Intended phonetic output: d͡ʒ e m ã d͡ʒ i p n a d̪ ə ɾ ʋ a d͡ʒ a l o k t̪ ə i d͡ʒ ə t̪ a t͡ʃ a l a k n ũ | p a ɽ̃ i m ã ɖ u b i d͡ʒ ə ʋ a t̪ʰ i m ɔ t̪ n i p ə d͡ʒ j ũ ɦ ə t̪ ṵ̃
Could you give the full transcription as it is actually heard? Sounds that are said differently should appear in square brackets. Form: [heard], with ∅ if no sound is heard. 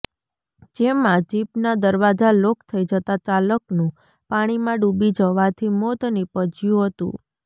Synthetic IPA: d͡ʒ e m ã d͡ʒ i p n a d̪ ə ɾ ʋ a d͡ʒ a l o k [t̪ʰ] ə i d͡ʒ ə t̪ a t͡ʃ a l [ə] k n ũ | p a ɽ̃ i m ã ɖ u b i d͡ʒ ə ʋ a t̪ʰ i m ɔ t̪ n i p ə d͡ʒ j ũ ɦ ə t̪ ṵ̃